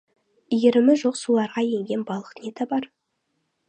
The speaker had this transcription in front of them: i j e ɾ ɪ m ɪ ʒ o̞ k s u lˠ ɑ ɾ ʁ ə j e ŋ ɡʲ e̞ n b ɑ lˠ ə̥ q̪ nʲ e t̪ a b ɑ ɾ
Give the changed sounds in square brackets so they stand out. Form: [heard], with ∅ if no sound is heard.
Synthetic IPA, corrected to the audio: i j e ɾ ɪ m ɪ ʒ o̞ [q] s u lˠ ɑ ɾ ʁ [ɑ] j e ŋ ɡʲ e̞ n b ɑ lˠ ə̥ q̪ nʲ e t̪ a b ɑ ɾ